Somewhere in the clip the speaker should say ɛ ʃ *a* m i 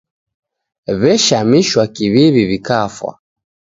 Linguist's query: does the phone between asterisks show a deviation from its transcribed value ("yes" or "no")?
no